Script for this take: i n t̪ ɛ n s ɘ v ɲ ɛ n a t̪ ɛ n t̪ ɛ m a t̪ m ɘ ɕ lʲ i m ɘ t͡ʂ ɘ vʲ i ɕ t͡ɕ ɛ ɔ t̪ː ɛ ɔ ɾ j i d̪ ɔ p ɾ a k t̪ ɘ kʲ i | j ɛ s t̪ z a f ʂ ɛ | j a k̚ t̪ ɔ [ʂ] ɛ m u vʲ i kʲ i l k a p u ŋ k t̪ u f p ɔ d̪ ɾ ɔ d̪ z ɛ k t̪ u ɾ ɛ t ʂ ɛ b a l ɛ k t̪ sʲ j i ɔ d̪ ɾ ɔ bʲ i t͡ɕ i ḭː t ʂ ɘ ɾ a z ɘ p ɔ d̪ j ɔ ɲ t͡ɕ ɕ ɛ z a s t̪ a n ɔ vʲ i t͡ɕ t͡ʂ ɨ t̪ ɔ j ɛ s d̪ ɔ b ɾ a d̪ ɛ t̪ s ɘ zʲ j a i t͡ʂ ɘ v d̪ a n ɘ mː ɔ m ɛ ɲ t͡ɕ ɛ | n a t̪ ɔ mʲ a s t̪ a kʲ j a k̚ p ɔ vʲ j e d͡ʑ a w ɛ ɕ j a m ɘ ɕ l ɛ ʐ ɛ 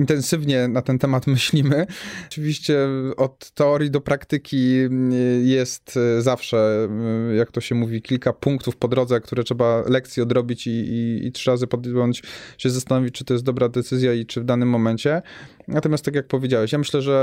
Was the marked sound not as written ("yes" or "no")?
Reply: yes